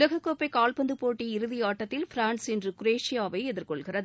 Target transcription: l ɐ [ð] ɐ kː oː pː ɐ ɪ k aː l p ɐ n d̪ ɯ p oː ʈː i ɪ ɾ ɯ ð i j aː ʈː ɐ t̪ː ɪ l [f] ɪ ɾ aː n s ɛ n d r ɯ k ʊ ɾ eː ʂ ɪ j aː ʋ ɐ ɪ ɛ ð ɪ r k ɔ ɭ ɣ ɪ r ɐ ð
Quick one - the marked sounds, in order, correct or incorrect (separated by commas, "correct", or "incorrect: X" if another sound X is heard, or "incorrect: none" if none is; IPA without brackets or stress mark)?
incorrect: ɣ, correct